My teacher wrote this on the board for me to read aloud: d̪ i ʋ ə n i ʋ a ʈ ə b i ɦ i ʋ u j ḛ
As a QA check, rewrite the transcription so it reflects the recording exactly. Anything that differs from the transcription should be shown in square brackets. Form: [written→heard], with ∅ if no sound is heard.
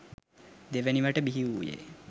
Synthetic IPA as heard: d̪ [i→e] ʋ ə n i ʋ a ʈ ə b i ɦ i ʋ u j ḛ